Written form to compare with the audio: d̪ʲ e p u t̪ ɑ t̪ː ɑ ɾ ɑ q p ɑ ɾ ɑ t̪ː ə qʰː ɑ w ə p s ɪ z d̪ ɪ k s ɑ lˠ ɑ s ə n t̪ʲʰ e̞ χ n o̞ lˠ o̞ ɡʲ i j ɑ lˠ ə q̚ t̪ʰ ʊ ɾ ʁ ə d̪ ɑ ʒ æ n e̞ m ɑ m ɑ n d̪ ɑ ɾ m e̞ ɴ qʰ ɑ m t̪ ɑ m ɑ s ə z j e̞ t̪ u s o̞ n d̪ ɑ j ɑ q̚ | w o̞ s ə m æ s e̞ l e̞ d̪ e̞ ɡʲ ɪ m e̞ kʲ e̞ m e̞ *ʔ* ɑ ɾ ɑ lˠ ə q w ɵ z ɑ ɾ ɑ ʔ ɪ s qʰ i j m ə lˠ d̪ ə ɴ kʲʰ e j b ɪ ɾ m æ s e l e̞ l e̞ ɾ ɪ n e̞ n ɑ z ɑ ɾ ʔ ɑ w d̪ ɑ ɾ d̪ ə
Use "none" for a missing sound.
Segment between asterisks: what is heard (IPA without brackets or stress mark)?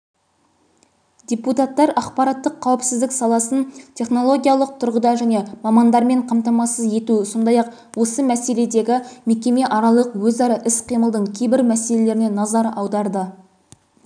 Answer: ʔ